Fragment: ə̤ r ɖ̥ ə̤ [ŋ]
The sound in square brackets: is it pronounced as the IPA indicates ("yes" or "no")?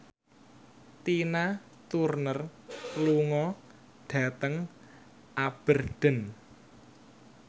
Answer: no